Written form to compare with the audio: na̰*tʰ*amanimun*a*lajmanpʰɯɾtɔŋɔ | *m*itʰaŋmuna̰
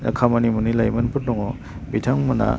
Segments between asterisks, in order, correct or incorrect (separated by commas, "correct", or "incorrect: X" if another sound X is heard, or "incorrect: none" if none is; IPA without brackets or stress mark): incorrect: kʰ, incorrect: i, incorrect: b